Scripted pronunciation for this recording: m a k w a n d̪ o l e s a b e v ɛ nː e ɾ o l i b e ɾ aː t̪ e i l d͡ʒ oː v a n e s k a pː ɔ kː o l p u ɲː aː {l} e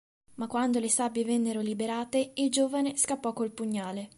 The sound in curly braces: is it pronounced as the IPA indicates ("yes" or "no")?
yes